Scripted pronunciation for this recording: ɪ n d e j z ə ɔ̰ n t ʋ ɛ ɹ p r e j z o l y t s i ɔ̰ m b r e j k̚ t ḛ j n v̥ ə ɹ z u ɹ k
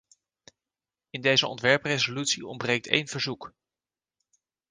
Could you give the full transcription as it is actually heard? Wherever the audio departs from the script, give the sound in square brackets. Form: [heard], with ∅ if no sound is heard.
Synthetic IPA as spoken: ɪ n d e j z ə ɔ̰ n t ʋ ɛ ɹ p r e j z o l y t s i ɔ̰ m b r e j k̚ t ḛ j n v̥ ə ɹ z u [∅] k